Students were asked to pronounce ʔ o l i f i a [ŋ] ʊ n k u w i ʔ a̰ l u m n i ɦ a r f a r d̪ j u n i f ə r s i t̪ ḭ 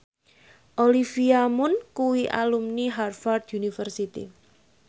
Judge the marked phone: incorrect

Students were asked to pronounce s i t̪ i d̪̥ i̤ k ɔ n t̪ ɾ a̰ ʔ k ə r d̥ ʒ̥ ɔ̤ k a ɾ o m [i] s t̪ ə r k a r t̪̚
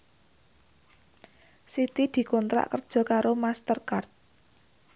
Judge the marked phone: incorrect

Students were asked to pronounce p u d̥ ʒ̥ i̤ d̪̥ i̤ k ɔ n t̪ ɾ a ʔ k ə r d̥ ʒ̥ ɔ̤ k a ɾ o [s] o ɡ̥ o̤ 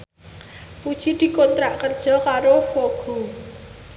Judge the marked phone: incorrect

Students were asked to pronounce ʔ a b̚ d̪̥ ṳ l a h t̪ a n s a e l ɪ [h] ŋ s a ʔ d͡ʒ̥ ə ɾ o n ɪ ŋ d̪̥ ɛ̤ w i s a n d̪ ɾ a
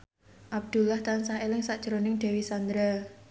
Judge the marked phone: incorrect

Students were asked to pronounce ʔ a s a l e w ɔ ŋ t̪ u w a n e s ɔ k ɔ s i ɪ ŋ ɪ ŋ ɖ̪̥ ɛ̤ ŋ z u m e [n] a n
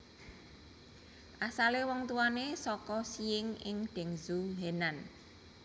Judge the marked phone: correct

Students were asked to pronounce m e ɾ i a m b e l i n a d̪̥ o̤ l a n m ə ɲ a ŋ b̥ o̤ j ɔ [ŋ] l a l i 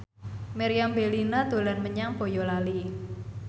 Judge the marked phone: incorrect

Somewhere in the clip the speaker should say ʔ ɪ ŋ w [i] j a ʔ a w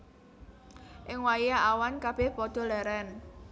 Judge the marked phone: incorrect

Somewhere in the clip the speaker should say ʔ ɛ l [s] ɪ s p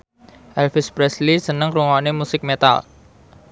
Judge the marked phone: incorrect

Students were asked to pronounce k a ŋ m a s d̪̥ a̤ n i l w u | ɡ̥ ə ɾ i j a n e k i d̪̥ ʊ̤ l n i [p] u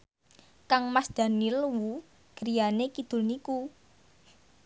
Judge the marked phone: incorrect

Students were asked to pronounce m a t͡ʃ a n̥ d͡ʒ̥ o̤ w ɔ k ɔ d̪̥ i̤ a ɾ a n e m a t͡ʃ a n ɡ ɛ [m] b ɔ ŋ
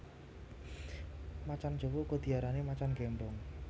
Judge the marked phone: correct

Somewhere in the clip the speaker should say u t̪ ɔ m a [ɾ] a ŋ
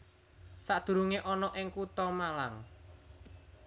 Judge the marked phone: incorrect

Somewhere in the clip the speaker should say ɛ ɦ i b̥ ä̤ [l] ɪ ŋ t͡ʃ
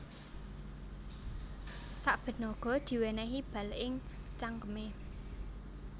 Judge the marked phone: correct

